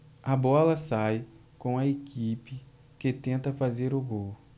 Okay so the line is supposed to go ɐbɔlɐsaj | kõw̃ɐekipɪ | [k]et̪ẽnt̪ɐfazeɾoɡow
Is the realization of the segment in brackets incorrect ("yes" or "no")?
no